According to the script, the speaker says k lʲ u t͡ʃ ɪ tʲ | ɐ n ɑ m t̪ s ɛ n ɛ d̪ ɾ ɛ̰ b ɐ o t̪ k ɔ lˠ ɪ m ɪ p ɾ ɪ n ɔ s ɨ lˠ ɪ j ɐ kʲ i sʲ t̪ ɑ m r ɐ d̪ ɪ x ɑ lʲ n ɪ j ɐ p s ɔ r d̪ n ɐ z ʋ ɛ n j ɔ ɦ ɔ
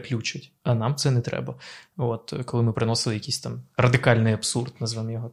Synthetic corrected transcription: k lʲ u t͡ʃ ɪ tʲ | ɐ n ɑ m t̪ s ɛ n ɛ t̪ ɾ ɛ̰ b ɐ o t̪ k ɔ lˠ ɪ m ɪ p ɾ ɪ n ɔ s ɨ lˠ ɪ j ɐ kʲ i sʲ t̪ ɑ m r ɐ d̪ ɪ k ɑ lʲ n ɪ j ɐ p s u r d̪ n ɐ z ʋ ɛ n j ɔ ɦ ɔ